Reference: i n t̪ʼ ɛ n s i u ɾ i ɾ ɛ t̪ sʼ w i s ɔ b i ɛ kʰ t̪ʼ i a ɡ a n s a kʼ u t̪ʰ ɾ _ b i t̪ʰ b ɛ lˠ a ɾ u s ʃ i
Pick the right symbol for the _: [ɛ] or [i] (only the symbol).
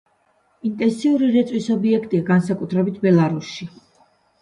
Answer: ɛ